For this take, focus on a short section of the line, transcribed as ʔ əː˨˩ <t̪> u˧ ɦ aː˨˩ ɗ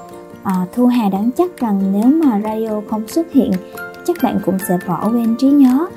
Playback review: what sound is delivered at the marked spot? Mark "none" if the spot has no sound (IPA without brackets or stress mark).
t̪ʰ